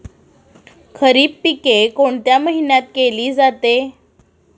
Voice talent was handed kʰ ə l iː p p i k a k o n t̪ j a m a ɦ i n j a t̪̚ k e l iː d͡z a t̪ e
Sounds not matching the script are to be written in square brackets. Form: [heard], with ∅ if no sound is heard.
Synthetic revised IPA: kʰ ə [ɾ] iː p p i k [e] k o [ɳ] t̪ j a m [ə] ɦ i n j a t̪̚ k e l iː d͡z a t̪ e